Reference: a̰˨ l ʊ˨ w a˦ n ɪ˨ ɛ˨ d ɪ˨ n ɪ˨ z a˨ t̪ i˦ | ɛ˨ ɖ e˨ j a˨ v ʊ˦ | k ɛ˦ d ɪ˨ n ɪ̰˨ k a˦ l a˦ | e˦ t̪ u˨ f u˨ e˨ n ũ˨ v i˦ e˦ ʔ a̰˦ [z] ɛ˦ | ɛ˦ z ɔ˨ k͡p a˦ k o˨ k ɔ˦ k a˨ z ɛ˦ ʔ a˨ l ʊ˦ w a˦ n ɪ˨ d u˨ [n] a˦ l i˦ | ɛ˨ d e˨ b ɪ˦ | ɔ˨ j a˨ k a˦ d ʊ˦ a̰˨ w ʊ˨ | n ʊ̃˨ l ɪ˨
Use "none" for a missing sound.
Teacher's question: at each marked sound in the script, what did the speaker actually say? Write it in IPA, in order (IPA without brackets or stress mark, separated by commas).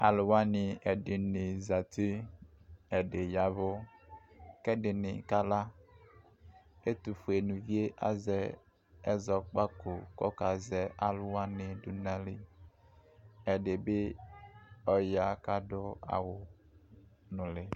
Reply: z, n